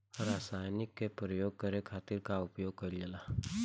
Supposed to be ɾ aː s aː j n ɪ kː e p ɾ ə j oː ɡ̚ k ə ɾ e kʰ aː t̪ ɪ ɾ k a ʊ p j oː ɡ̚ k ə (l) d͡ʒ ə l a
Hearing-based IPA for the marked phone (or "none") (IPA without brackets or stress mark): ɾ